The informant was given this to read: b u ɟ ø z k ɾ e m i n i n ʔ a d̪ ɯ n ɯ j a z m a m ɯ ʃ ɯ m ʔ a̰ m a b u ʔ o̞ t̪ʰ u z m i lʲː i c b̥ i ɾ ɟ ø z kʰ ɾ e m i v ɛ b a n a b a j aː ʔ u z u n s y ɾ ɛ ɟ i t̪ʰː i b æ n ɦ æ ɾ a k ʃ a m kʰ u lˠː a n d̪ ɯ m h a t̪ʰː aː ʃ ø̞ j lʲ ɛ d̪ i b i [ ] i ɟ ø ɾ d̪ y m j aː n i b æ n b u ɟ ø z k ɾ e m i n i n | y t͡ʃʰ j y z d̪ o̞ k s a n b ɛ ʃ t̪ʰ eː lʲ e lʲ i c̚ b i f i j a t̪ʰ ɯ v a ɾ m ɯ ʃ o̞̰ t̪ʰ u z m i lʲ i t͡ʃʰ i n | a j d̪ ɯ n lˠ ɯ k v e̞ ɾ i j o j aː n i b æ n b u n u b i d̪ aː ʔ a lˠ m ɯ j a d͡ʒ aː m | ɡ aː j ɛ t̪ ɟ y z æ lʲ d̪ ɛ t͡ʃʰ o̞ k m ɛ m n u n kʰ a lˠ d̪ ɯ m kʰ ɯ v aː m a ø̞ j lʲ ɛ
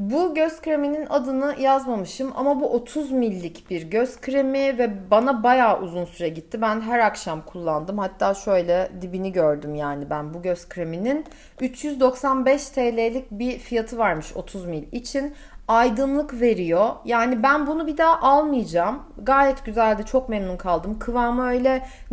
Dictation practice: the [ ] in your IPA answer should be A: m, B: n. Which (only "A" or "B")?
B